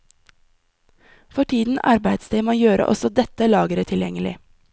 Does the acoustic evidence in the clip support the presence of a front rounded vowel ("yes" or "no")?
yes